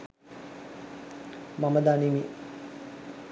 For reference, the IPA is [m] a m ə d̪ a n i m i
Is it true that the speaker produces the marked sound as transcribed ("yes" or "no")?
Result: yes